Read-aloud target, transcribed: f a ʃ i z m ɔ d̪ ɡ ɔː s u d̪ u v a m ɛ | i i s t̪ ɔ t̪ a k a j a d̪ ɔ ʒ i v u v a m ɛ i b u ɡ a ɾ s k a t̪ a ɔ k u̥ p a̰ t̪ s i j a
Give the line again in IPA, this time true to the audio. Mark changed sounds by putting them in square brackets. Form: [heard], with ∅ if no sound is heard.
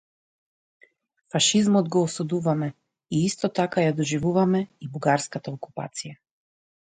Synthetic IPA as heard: f a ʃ i z m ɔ d̪ ɡ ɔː s u d̪ u v a m ɛ | i i s t̪ ɔ t̪ a k a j a d̪ ɔ ʒ i v u v a m ɛ i b u ɡ a ɾ s k a t̪ a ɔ k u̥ p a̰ t̪ s i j a

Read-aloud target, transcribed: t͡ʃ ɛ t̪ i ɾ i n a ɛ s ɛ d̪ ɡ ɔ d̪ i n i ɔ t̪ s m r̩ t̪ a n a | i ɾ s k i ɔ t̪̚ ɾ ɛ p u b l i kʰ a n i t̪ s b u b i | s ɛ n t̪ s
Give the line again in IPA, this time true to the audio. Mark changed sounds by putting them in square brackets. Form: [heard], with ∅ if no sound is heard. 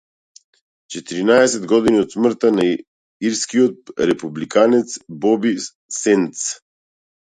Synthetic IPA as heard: t͡ʃ ɛ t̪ i ɾ i n a ɛ s ɛ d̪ ɡ ɔ d̪ i n i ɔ t̪ s m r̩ t̪ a n a | i ɾ s k i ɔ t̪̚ ɾ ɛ p u b l i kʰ a n [ɛ] t̪ s b [ɔ] b i | s ɛ n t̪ s

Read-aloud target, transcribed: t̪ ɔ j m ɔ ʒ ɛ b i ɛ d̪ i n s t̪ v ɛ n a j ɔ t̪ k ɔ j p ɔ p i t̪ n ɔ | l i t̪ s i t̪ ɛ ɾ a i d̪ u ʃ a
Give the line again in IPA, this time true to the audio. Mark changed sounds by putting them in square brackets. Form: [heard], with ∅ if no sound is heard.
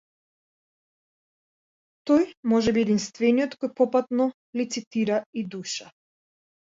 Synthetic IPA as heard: t̪ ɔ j m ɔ ʒ ɛ b i ɛ d̪ i n s t̪ v ɛ n [i] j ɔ t̪ k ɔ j p ɔ p [a] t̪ n ɔ | l i t̪ s i t̪ [i] ɾ a i d̪ u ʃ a

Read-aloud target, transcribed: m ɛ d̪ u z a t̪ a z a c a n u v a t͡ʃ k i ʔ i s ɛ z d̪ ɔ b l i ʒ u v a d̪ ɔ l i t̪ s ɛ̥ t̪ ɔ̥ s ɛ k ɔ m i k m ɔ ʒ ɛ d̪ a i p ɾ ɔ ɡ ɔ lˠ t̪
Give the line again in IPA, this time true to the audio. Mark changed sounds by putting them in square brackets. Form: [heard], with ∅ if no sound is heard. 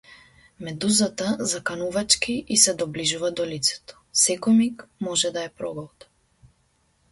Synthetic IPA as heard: m ɛ d̪ u z a t̪ a z a [k] a n u v a t͡ʃ k i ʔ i s ɛ [∅] d̪ ɔ b l i ʒ u v a d̪ ɔ l i t̪ s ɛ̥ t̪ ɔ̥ s ɛ k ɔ m i k m ɔ ʒ ɛ d̪ a [ɛ] p ɾ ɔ ɡ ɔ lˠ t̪

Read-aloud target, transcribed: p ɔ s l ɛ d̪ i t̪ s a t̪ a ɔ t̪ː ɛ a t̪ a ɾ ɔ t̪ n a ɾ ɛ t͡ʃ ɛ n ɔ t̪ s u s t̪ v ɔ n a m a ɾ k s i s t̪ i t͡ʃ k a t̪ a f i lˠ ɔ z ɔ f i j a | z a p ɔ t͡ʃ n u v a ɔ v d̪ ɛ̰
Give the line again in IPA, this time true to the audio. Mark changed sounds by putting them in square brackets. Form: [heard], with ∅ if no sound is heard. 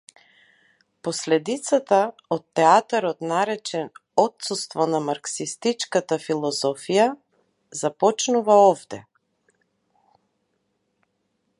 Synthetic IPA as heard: p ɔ s l ɛ d̪ i t̪ s a t̪ a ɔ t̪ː ɛ a t̪ a ɾ ɔ t̪ n a ɾ ɛ t͡ʃ ɛ n ɔ t̪ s u s t̪ v ɔ n a m a ɾ k s i s t̪ i t͡ʃ k a t̪ a f i lˠ ɔ z ɔ f i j a | z a p ɔ t͡ʃ n u v a ɔ v d̪ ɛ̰

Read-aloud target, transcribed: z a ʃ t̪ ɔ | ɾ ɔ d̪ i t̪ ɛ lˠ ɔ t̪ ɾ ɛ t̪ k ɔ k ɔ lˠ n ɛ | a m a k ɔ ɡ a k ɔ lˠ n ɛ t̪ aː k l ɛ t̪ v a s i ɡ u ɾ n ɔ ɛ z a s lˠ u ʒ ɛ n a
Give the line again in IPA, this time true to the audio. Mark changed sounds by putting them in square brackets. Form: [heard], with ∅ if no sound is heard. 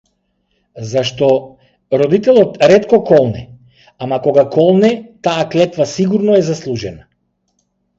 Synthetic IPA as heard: z a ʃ t̪ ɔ | ɾ ɔ d̪ i t̪ ɛ lˠ ɔ t̪ ɾ ɛ t̪ k ɔ k ɔ lˠ n ɛ | a m a k ɔ ɡ a k ɔ lˠ n ɛ t̪ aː k l ɛ t̪ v a s i ɡ u ɾ n ɔ ɛ z a s lˠ u ʒ ɛ n a

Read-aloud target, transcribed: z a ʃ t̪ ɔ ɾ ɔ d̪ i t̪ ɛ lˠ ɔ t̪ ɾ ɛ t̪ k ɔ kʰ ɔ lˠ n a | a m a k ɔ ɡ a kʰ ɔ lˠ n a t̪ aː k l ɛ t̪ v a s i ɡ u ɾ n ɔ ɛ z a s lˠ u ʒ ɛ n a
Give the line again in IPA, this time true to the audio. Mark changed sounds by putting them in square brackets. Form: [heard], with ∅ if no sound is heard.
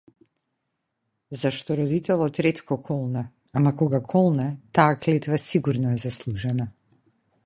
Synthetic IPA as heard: z a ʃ t̪ ɔ ɾ ɔ d̪ i t̪ ɛ lˠ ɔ t̪ ɾ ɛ t̪ k ɔ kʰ ɔ lˠ n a | a m a k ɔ ɡ a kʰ ɔ lˠ n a t̪ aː k l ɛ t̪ v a s i ɡ u ɾ n ɔ ɛ z a s lˠ u ʒ ɛ n a

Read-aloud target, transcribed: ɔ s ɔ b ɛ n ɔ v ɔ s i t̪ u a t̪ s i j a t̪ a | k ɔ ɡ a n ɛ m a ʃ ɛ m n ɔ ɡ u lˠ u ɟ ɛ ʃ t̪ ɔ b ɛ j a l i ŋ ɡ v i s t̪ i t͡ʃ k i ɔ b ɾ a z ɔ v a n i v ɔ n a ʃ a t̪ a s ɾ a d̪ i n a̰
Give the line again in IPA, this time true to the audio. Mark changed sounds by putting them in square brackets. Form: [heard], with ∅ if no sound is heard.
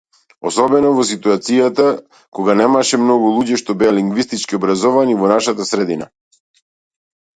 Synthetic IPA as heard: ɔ s ɔ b ɛ n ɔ v ɔ s i t̪ u a t̪ s i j a t̪ a | k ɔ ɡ a n ɛ m a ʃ ɛ m n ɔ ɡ u lˠ u ɟ ɛ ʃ t̪ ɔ b ɛ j a l i ŋ ɡ v i s t̪ i t͡ʃ k i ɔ b ɾ a z ɔ v a n i v ɔ n a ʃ a t̪ a s ɾ [ɛ] d̪ i n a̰

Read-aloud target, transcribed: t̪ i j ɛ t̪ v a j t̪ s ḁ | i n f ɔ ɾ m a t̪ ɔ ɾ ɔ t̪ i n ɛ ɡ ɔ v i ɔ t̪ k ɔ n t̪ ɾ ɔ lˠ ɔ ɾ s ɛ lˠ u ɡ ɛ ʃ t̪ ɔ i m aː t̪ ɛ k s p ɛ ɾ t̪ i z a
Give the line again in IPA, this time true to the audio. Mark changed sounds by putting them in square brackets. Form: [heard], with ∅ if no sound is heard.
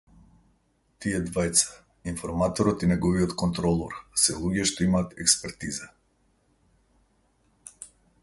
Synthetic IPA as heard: t̪ i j ɛ [d̪] v a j t̪ s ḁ | i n f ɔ ɾ m a t̪ ɔ ɾ ɔ t̪ i n ɛ ɡ ɔ v i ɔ t̪ k ɔ n t̪ ɾ ɔ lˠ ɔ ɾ s ɛ lˠ u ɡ ɛ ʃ t̪ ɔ i m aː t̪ ɛ k s p ɛ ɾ t̪ i z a

